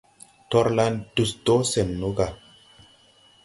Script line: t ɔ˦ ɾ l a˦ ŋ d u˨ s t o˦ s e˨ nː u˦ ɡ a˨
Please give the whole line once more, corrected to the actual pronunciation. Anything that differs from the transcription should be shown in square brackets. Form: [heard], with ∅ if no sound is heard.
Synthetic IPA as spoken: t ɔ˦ ɾ l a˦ [n] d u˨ s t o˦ s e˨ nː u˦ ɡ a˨